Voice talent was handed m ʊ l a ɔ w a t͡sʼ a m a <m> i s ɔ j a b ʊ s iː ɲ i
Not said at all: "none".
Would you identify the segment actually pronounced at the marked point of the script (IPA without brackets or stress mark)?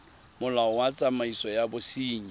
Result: none